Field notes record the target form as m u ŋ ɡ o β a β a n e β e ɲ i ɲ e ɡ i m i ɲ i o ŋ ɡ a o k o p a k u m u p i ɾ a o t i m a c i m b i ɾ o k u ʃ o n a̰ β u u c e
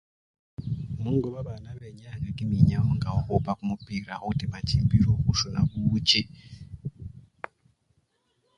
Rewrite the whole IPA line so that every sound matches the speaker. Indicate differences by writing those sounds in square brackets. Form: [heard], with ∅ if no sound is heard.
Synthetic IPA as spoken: m u ŋ ɡ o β a β a n [a] β e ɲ [a] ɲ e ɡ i m i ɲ [a] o ŋ ɡ a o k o p a k u m u p i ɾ a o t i m a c i m b i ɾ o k u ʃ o n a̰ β u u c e